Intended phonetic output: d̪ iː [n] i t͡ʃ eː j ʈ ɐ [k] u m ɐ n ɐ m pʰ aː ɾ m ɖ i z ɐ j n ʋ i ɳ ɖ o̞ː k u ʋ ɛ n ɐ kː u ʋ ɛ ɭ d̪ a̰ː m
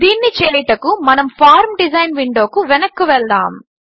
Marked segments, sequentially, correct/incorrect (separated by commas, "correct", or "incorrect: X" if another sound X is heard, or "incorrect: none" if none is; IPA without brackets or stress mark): incorrect: nː, correct